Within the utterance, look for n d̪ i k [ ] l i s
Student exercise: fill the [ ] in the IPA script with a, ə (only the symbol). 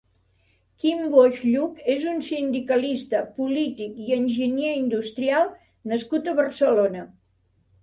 ə